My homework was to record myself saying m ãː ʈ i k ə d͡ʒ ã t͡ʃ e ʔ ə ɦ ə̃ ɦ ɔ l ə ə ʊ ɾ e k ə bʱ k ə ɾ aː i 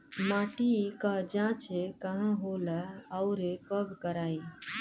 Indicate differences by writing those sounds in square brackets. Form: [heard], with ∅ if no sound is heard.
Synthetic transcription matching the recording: m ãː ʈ i k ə d͡ʒ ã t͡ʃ e [k] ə ɦ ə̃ ɦ [o] l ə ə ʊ ɾ e k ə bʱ k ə ɾ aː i